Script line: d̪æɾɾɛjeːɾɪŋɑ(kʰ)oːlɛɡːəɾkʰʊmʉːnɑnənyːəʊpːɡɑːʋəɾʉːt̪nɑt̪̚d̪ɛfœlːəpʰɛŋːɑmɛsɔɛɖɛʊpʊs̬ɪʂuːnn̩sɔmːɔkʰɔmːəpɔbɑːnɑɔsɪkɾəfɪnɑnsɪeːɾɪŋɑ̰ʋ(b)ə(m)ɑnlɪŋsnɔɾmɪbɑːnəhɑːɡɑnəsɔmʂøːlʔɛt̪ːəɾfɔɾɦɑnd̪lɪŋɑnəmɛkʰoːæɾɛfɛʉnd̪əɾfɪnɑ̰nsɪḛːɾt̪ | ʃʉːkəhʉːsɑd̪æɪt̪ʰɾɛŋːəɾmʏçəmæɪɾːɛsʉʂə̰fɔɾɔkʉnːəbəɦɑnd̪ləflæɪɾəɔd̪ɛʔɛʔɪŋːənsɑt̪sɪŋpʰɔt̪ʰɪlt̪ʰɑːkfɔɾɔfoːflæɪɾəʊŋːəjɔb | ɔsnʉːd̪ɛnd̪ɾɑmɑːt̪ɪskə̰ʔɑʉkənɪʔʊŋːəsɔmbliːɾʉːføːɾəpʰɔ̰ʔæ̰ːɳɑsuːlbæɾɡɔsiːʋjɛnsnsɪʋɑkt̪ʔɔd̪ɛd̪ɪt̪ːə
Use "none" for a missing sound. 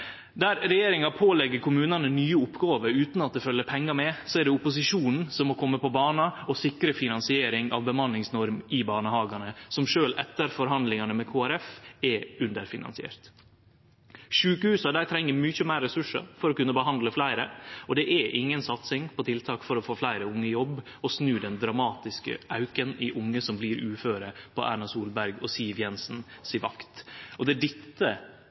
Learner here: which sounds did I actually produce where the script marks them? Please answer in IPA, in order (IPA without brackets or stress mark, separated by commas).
pʰ, b, m